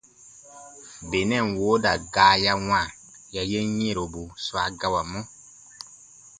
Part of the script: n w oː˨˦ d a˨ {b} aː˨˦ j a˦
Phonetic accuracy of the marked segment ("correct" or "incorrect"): incorrect